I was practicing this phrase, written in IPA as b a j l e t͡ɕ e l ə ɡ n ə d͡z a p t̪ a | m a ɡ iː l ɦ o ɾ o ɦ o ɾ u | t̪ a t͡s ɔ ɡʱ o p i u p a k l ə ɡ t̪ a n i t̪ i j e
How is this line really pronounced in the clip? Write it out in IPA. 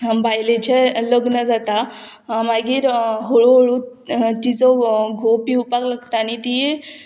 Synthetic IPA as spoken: b a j l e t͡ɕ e l ə ɡ n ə d͡z a t̪ a | m a ɡ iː ɾ ɦ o ɭ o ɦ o ɭ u | t̪ i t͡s ɔ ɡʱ o p i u p a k l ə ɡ t̪ a n i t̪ i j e